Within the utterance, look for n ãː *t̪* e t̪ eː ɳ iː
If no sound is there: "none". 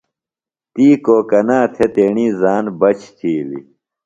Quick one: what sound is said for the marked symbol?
t̪ʰ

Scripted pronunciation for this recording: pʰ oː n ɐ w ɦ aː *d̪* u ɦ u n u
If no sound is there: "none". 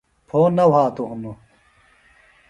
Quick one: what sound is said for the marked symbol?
t̪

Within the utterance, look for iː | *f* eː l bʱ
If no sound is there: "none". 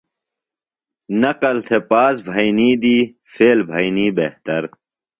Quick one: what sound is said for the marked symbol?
f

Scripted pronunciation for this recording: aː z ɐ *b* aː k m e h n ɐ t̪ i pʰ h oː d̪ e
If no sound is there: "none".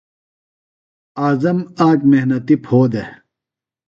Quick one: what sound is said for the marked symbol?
m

